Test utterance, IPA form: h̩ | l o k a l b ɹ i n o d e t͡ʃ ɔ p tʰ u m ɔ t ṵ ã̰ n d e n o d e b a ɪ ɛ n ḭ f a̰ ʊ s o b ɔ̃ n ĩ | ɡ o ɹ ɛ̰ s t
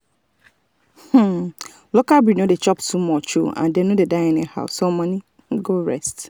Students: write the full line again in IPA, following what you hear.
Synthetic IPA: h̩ | l o k a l b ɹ i n o d e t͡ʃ ɔ p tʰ u m ɔ t͡ʃ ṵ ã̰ n d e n o d e d a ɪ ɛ n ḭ h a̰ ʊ s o m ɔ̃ n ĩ | ɡ o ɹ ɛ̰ s t